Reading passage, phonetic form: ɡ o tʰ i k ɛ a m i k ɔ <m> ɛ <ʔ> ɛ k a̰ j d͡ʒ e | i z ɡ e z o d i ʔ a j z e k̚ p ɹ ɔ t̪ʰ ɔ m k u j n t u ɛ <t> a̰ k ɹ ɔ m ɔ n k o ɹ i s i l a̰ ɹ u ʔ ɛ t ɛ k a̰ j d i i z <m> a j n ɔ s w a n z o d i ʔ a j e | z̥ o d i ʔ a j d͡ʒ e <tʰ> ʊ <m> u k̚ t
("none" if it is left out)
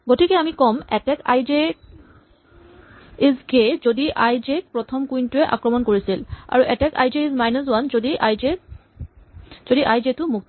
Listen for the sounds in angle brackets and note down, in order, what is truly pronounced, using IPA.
m, t, ʔ, m, t, m

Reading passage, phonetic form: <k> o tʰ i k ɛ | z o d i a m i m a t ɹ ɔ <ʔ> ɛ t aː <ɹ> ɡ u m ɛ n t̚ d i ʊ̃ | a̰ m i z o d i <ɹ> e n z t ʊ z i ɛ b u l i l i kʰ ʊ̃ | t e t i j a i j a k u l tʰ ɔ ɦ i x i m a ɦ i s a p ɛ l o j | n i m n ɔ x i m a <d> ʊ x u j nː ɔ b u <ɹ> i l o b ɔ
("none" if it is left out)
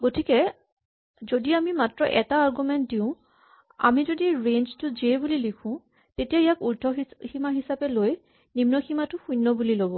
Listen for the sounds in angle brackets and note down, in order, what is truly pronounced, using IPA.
ɡ, ʔ, ɹ, ɹ, t, l

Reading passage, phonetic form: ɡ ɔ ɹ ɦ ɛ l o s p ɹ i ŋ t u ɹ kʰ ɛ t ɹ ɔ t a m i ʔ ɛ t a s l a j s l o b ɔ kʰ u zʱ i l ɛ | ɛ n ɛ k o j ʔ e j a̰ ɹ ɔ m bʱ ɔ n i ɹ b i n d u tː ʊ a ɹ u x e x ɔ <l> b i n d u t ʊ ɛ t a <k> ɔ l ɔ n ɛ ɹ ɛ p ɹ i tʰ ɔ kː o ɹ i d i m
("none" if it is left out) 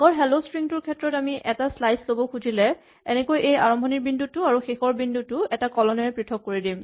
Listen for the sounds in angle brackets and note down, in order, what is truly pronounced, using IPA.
ɹ, k

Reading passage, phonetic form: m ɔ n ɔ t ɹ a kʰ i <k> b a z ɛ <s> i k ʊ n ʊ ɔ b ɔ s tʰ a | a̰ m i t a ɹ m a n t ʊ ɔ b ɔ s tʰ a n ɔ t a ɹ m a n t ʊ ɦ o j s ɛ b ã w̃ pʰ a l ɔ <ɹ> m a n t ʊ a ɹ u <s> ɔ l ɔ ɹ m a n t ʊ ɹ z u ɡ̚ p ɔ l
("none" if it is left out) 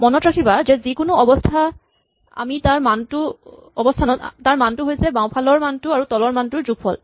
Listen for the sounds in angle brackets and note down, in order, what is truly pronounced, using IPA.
none, z, ɹ, t

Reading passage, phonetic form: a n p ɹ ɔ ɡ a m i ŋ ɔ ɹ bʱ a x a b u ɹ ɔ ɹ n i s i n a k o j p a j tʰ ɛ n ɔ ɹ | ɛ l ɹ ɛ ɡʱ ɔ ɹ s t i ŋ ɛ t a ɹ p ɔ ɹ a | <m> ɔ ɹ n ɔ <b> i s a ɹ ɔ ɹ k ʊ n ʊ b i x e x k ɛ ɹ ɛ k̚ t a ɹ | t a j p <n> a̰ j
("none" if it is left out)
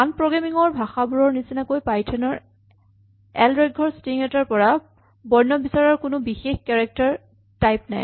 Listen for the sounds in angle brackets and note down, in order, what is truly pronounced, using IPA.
b, b, n

